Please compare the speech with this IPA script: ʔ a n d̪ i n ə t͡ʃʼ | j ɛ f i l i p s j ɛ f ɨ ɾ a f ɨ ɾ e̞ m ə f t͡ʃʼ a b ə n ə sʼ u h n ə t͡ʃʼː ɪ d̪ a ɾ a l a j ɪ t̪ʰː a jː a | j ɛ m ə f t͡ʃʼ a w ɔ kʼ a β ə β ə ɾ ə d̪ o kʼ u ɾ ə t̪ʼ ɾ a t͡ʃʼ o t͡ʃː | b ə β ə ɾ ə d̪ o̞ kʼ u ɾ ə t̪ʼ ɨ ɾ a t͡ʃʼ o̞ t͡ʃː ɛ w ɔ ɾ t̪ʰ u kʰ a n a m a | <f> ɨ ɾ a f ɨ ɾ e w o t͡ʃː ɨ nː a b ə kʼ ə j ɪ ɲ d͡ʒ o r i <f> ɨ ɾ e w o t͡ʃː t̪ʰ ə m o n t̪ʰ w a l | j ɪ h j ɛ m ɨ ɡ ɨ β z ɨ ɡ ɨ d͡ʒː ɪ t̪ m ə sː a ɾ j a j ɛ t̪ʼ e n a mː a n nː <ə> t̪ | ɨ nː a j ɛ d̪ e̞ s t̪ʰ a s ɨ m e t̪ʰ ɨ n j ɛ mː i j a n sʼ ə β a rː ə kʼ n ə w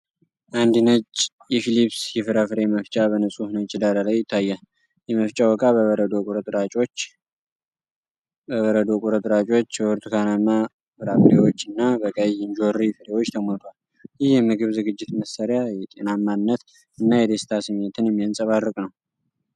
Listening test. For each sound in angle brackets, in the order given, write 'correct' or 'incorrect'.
correct, correct, correct

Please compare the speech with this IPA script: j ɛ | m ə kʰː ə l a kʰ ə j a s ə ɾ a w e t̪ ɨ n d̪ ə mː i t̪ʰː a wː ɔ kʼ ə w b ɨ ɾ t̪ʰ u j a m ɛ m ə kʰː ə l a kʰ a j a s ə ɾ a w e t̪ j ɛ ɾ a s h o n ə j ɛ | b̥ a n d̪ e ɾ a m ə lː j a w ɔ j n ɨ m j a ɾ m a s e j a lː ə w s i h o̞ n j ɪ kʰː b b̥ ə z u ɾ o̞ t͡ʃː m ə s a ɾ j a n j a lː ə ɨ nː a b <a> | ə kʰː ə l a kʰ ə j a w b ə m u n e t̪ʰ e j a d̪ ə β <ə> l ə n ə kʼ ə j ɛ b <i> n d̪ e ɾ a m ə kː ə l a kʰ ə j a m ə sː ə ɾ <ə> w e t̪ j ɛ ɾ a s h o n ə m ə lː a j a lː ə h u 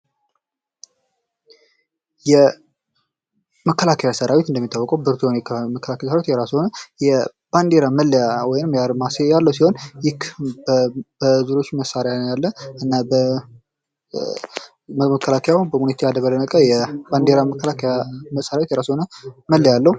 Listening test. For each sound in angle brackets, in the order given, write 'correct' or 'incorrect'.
incorrect: ə, correct, incorrect: a, incorrect: a

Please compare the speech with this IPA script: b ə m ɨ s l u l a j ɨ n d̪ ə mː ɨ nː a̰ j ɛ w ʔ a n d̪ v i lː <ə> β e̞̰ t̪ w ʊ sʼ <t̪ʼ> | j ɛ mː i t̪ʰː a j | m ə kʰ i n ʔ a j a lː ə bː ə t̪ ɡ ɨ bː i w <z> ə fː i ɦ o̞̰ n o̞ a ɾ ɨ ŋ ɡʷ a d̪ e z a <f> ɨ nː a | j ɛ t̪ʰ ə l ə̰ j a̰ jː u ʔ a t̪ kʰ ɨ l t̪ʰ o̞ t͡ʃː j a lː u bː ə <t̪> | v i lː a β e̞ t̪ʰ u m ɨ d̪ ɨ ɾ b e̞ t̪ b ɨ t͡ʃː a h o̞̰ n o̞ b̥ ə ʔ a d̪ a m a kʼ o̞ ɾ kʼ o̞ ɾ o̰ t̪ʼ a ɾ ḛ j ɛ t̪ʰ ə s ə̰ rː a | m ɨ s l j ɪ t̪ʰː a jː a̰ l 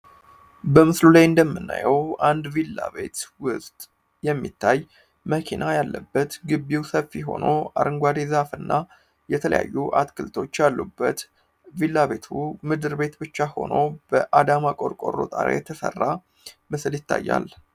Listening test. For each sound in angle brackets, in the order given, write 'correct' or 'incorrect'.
incorrect: a, correct, incorrect: s, correct, correct

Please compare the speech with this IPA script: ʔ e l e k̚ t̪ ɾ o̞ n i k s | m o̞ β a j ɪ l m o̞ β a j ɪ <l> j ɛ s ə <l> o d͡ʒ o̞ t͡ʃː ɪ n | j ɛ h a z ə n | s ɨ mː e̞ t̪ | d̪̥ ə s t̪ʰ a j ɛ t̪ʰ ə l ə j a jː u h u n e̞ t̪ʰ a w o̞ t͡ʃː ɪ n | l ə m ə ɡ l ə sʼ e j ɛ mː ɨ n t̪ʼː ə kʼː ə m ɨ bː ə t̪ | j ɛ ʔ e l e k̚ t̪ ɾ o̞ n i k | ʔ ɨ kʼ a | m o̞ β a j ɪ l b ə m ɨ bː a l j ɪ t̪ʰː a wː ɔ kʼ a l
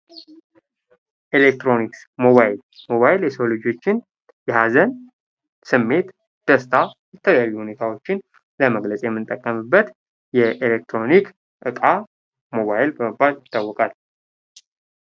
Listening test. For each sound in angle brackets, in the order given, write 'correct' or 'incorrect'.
correct, correct

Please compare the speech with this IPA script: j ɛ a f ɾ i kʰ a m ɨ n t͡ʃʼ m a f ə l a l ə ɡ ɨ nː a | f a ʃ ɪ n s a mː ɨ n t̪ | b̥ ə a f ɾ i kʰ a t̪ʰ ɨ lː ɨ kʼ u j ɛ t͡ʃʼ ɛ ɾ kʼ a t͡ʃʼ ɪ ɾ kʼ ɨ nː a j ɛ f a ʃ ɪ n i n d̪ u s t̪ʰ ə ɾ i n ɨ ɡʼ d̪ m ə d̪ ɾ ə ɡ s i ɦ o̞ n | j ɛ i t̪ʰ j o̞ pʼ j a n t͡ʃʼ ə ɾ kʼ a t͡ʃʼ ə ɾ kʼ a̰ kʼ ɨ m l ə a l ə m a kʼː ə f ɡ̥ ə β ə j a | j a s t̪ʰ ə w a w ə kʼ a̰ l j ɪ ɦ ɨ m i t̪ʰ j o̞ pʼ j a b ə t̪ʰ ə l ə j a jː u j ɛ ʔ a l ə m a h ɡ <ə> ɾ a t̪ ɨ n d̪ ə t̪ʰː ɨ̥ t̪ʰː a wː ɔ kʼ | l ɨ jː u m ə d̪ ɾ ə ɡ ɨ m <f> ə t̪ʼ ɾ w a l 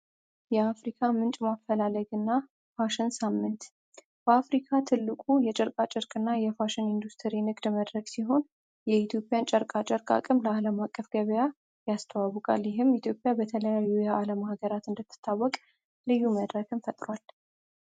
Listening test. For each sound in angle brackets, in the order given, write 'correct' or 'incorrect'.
correct, correct

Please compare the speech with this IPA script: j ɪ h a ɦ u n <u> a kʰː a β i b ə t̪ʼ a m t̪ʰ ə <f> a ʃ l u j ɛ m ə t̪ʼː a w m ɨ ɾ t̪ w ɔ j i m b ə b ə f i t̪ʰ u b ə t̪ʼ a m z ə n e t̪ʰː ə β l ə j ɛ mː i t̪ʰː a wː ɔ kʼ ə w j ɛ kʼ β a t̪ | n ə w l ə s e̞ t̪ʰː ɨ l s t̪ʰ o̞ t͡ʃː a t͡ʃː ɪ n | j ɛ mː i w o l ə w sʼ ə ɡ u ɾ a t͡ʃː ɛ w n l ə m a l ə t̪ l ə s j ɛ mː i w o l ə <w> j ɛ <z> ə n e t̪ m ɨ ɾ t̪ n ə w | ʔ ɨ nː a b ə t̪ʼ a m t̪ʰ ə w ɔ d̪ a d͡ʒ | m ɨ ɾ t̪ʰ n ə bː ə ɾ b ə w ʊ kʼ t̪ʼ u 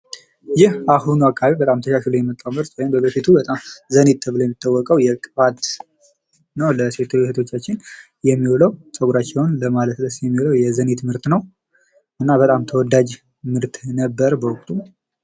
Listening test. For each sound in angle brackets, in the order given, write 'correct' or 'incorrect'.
correct, incorrect: ʃ, correct, correct

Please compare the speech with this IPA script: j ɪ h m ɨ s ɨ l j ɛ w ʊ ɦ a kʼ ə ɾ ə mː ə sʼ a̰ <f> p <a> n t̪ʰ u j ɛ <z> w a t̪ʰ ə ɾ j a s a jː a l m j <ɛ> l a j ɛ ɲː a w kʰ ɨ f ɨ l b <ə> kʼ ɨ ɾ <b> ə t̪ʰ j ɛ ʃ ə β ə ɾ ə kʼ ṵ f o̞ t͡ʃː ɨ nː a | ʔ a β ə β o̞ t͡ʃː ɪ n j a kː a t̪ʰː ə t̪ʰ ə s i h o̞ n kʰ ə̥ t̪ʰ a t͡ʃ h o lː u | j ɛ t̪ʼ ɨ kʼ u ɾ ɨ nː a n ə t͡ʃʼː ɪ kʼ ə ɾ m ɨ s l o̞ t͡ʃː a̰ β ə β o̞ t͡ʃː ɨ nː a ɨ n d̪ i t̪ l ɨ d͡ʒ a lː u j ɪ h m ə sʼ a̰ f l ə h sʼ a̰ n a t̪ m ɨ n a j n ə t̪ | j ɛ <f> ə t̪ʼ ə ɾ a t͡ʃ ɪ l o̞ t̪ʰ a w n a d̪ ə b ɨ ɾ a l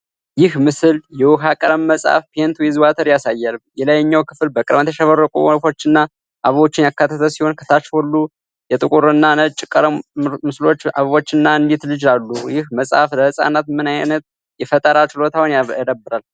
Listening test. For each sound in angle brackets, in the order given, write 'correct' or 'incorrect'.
correct, incorrect: e, correct, correct, correct, incorrect: m, correct

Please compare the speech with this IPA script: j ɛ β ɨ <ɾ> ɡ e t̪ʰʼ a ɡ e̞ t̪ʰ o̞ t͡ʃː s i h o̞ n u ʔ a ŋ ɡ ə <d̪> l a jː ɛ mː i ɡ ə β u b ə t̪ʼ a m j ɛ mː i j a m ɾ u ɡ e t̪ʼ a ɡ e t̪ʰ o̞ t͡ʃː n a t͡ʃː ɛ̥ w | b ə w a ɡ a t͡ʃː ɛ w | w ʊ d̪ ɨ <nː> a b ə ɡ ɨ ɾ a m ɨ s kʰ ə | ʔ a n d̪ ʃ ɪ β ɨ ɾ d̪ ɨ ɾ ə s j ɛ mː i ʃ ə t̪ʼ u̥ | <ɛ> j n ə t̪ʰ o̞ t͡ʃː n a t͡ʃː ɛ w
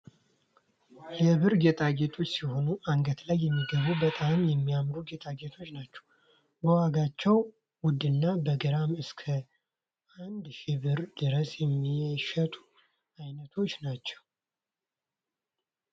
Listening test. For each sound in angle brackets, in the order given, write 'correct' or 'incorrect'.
correct, incorrect: t̪, correct, incorrect: a

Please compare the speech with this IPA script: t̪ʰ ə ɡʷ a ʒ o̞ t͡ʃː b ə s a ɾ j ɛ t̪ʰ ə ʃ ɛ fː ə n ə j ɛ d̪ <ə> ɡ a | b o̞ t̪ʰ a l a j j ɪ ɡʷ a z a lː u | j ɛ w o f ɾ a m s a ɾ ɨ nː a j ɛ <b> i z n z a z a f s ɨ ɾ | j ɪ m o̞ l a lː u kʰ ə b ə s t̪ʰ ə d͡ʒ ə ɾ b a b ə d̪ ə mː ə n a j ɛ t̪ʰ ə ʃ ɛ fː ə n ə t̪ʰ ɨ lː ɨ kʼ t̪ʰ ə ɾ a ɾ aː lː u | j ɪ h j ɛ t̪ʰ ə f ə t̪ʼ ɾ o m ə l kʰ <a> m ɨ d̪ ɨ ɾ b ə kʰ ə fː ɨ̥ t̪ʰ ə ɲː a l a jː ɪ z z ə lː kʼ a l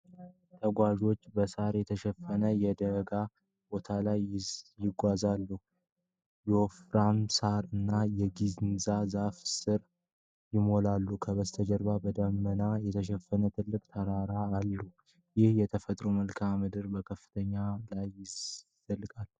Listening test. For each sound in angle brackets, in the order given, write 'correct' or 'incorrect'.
correct, incorrect: ɡ, correct

